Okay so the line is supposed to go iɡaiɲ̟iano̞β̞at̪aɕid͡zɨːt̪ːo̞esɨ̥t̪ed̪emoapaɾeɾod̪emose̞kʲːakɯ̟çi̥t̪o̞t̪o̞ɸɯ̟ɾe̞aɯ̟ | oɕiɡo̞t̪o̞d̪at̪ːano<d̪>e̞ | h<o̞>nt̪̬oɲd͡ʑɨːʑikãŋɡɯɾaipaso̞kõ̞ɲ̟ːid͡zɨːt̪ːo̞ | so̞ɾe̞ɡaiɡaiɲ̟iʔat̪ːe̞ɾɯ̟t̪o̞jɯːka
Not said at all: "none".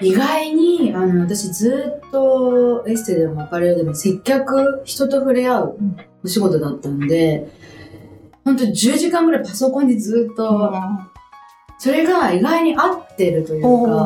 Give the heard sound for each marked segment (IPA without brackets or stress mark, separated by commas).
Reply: d̪, õ̞